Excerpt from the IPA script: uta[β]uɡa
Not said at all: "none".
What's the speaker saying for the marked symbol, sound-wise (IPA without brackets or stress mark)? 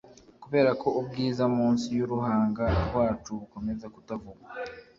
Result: v